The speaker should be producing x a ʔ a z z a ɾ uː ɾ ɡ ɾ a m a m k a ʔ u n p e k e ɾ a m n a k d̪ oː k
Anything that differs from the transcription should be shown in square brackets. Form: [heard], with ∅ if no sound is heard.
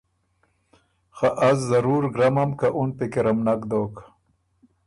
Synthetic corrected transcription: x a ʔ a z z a ɾ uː ɾ ɡ ɾ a m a m k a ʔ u n p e k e ɾ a m n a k d̪ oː k